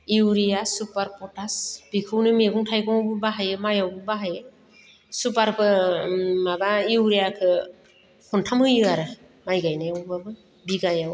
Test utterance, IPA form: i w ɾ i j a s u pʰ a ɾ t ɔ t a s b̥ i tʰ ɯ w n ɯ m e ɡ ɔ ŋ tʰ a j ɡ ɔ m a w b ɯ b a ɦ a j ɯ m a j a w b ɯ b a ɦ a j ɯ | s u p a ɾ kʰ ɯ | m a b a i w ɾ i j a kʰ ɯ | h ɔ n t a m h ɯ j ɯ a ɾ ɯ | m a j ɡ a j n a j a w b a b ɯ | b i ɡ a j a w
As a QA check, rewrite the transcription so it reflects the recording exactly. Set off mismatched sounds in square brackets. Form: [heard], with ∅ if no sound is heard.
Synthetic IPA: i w ɾ i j a s u [p] a ɾ [p] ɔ t a s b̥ i [kʰ] ɯ w n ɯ m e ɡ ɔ ŋ tʰ a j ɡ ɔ [ŋ] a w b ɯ b a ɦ a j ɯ m a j a w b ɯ b a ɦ a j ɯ | s u p a ɾ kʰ ɯ | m a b a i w ɾ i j a kʰ ɯ | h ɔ n [tʰ] a m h ɯ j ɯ a ɾ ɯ | m a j ɡ a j n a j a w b a b ɯ | b i ɡ a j a w